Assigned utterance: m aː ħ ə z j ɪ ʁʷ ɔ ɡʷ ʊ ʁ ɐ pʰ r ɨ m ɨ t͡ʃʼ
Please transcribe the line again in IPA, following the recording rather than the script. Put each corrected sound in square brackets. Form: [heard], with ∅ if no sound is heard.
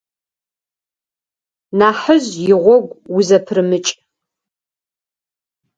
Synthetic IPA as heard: [n] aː ħ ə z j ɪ ʁʷ ɔ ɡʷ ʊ [z] ɐ pʰ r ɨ m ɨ t͡ʃʼ

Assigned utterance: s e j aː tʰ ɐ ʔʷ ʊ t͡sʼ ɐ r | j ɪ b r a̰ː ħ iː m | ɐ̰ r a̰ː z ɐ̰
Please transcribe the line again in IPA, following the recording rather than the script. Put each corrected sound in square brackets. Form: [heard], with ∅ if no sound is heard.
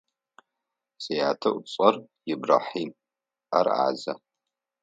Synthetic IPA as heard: s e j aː tʰ ɐ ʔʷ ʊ t͡sʼ ɐ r | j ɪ b r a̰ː ħ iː m | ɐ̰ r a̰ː z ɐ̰

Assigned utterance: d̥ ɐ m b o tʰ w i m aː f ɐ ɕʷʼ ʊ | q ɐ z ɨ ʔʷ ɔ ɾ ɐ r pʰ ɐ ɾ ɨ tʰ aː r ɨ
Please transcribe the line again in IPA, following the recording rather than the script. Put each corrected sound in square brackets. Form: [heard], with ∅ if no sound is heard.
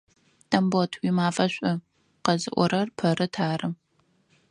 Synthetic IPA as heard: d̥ ɐ m b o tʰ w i m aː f ɐ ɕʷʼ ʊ | q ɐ z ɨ ʔʷ ɔ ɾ ɐ r pʰ ɐ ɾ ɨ tʰ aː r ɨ

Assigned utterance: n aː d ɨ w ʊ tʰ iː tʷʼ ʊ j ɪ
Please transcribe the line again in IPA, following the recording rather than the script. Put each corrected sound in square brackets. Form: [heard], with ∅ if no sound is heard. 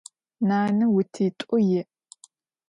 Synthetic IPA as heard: n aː [n] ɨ w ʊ tʰ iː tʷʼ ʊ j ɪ

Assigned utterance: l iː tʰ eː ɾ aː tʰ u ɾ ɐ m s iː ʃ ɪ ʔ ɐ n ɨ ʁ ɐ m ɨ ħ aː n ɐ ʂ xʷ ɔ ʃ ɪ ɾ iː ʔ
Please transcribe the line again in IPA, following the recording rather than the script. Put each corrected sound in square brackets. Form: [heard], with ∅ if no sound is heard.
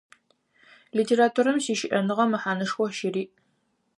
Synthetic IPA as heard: l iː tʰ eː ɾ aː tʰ u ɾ ɐ m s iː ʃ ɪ ʔ ɐ n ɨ ʁ ɐ m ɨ ħ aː n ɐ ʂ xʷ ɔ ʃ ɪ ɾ iː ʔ

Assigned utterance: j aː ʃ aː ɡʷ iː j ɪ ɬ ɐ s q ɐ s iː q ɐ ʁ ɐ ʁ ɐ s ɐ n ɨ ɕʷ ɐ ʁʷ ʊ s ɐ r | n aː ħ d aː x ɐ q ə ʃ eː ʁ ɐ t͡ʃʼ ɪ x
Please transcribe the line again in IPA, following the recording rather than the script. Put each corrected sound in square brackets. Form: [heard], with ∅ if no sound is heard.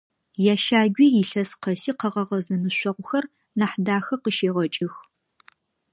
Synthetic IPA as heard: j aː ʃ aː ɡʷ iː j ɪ ɬ ɐ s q ɐ s iː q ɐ ʁ ɐ ʁ ɐ [z] ɐ n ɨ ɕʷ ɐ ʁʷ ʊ [x] ɐ r | n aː ħ d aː x ɐ q ə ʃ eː ʁ ɐ t͡ʃʼ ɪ x

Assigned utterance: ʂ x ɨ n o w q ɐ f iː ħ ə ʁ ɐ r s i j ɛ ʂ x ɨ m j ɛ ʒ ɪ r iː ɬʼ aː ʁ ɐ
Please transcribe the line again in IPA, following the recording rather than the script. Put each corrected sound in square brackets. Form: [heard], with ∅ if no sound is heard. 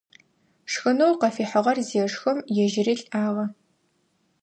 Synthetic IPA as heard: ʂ x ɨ n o w q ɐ f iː ħ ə ʁ ɐ r [z] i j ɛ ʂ x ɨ m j ɛ ʒ ɪ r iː ɬʼ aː ʁ ɐ

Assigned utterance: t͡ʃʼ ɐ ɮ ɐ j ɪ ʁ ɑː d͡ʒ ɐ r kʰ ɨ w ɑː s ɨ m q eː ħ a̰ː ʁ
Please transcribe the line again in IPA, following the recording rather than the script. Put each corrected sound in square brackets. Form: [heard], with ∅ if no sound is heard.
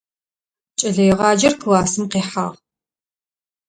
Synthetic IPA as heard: t͡ʃʼ ɐ ɮ ɐ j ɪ ʁ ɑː d͡ʒ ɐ r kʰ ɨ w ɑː s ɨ m q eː ħ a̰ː ʁ

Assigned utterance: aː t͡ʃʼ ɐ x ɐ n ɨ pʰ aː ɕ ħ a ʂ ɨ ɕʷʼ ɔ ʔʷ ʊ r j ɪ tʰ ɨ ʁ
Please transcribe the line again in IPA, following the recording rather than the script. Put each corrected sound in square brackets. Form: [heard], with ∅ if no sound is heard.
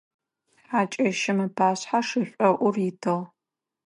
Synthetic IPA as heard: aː t͡ʃʼ ɐ [ʃ] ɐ [m] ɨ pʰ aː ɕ ħ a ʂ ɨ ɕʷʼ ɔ ʔʷ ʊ r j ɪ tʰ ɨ ʁ

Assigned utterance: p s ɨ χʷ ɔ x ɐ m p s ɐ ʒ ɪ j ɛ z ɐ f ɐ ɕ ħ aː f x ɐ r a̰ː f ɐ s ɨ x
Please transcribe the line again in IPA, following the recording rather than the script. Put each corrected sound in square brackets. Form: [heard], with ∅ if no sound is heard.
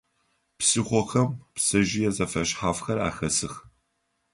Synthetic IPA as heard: p s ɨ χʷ ɔ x ɐ m p s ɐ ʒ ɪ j ɛ z ɐ f ɐ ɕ ħ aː f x ɐ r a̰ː [x] ɐ s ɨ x

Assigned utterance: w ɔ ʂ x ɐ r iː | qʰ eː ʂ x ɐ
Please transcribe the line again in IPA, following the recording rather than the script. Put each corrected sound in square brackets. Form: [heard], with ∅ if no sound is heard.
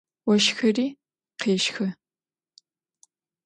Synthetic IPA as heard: w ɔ [ʃ] x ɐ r iː | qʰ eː [ʃ] x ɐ

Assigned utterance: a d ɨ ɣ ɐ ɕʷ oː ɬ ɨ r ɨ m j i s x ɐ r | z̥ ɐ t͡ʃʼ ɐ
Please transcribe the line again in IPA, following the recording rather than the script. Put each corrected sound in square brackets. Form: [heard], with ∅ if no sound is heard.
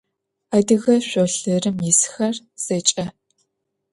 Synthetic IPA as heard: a d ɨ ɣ ɐ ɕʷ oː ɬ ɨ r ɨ m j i s x ɐ r | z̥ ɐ t͡ʃʼ ɐ

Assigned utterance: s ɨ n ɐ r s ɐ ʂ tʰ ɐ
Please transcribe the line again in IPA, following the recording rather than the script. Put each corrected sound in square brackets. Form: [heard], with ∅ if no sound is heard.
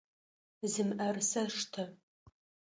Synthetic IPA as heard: [z] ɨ [m] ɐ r s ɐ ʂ tʰ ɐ

